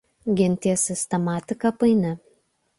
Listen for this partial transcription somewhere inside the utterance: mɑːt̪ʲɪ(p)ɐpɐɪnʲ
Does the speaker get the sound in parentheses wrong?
yes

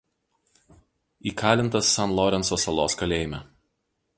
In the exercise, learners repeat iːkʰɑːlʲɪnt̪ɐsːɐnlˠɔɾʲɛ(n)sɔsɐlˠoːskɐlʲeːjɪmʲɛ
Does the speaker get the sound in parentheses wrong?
no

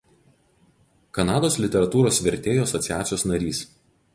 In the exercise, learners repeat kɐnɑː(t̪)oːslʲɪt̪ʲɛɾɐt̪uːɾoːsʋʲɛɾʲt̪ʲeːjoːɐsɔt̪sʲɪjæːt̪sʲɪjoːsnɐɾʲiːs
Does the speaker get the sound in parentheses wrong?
yes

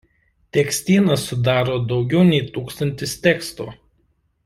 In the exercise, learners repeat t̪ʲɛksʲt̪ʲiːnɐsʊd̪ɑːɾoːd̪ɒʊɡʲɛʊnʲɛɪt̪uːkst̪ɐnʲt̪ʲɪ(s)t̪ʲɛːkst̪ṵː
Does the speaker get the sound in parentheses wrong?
no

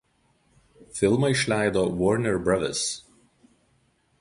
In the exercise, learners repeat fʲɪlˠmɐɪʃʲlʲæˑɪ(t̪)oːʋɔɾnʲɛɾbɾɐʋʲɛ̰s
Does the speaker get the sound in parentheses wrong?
yes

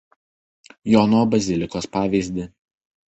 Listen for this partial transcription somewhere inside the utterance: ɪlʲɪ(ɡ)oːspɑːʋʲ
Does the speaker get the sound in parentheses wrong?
yes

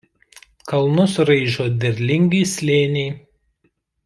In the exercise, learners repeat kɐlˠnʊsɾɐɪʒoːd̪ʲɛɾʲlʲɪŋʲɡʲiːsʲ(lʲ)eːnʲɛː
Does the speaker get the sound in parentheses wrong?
no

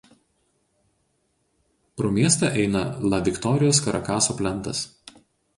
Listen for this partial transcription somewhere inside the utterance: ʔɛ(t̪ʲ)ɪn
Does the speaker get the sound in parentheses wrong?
yes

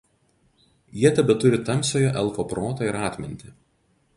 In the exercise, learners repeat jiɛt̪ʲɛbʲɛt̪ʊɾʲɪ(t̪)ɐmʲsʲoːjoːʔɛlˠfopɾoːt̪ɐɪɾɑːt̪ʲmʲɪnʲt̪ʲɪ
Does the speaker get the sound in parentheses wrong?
no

